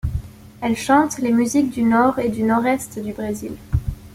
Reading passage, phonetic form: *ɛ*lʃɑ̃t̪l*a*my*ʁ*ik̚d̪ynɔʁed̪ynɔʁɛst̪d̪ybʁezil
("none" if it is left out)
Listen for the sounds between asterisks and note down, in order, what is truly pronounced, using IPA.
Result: ɛ, e, z

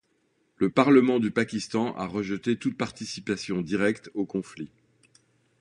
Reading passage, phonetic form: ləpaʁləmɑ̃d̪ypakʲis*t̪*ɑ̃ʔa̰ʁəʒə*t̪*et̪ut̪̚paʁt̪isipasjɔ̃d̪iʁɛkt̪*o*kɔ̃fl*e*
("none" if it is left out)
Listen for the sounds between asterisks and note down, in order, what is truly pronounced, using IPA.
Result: t̪, t̪, o, i

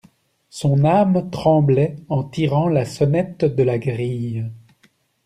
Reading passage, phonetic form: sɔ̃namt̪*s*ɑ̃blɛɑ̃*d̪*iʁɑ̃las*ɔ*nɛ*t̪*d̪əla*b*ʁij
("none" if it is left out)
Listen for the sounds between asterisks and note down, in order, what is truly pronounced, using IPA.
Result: χ, t̪, ɔ, t̪, ɡ

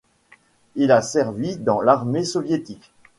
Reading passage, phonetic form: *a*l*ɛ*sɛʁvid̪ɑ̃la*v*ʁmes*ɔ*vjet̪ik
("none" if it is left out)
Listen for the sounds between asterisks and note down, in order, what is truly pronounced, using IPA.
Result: i, a, none, ɔ

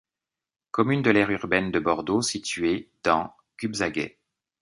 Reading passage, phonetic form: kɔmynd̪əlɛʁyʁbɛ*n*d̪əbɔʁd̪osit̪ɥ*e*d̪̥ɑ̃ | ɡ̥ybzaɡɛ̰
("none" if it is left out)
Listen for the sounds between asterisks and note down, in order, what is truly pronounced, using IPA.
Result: n, e

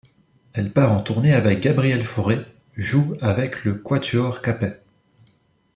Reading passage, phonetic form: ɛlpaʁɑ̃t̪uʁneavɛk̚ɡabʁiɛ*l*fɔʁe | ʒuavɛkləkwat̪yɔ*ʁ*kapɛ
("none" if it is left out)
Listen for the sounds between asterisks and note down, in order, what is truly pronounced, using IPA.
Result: l, ʁ

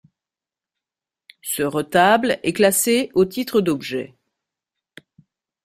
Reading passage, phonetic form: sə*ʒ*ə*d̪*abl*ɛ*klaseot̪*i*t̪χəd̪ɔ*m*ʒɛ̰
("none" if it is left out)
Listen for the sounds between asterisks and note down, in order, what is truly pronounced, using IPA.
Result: ʁ, t̪, ɛ, i, b

